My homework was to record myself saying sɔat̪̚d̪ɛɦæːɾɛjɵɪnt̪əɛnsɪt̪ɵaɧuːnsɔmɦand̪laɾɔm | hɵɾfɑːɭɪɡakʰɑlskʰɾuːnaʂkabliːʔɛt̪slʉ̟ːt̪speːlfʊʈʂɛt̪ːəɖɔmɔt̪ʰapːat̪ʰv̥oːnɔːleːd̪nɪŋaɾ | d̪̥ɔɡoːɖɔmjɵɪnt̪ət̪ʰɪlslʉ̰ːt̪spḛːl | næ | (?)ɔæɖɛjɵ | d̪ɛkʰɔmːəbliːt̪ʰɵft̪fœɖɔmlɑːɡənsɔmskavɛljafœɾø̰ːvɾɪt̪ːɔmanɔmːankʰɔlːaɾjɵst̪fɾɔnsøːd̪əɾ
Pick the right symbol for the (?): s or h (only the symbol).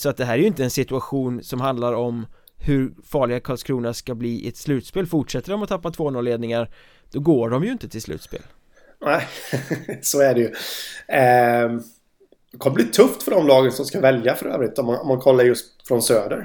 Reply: s